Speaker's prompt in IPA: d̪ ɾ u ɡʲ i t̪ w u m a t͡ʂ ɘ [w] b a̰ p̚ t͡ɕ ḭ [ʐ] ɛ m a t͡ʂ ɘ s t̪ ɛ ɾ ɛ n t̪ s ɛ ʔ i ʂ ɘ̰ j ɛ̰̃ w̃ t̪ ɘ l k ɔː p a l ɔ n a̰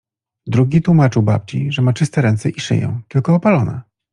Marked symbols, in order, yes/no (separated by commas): yes, yes